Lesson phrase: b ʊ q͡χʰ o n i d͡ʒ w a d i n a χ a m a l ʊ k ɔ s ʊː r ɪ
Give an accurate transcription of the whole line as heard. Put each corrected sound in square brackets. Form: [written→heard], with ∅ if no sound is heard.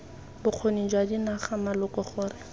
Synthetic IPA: b ʊ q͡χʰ o n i d͡ʒ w a d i n a χ a m a l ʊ k ɔ [s→χ] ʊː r ɪ